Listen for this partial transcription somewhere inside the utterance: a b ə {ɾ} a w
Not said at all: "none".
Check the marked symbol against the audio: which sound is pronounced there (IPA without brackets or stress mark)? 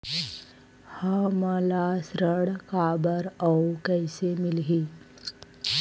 ɾ